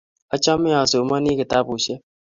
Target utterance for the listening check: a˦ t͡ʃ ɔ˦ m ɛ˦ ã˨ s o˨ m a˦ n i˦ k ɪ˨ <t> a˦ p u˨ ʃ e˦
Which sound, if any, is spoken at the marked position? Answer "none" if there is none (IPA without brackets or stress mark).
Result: t